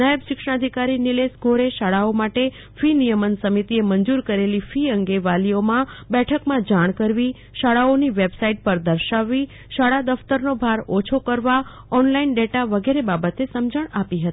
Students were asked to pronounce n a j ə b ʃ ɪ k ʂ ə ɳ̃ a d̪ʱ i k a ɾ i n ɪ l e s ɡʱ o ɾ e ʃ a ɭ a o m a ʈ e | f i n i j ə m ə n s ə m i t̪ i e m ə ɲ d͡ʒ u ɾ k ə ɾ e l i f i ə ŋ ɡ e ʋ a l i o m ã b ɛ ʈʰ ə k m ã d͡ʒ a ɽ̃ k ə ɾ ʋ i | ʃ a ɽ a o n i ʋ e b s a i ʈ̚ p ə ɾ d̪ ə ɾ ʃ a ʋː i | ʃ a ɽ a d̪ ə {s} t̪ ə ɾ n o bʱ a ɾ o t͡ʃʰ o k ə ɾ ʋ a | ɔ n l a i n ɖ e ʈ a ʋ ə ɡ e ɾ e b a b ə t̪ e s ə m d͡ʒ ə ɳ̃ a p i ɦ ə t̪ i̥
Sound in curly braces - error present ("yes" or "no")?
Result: yes